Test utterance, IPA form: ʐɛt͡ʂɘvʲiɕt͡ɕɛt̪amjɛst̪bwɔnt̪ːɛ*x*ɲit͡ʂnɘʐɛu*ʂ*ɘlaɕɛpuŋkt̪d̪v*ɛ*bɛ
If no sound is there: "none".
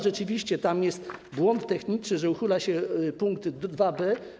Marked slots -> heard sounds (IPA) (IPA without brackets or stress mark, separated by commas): x, x, a